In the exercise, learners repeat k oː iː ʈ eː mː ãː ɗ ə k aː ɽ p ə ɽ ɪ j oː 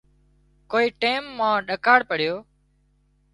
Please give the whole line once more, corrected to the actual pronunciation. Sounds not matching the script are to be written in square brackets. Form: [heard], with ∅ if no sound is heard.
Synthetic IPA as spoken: k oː iː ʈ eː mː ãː ɗ ə k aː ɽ p ə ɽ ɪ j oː

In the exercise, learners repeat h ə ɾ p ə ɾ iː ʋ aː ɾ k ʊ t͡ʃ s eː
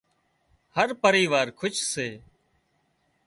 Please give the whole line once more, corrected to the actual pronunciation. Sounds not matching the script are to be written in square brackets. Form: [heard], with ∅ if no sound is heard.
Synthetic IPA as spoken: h ə ɾ p ə ɾ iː ʋ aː ɾ [kʰ] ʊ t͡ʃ s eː

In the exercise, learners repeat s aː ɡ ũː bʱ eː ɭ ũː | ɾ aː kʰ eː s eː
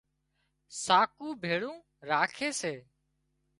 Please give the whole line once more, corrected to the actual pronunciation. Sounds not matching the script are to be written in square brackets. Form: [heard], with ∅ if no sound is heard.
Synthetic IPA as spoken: s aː [k] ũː bʱ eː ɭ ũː | ɾ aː kʰ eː s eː

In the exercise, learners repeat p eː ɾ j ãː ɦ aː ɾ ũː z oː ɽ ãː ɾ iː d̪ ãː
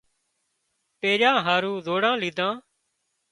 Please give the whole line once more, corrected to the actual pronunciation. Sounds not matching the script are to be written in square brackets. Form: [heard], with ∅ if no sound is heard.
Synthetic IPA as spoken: p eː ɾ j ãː ɦ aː ɾ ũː z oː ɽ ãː [l] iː d̪ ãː

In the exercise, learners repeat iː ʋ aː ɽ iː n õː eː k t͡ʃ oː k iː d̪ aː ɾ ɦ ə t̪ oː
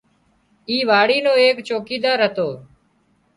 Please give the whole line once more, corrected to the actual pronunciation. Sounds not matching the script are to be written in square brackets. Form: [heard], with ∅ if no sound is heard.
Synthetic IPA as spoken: iː ʋ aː ɽ iː n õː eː k t͡ʃ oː k iː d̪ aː ɾ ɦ ə t̪ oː

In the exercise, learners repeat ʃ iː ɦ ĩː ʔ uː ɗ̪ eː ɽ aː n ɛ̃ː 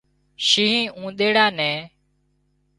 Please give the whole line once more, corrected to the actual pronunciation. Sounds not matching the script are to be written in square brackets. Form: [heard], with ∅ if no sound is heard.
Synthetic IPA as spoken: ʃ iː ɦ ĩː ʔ [ũː] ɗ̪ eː ɽ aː n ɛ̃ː

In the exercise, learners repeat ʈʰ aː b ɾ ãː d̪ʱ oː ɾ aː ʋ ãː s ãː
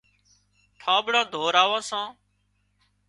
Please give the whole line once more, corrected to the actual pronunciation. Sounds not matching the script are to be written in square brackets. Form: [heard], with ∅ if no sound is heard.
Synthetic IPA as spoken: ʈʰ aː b [ɽ] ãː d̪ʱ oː ɾ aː ʋ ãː s ãː

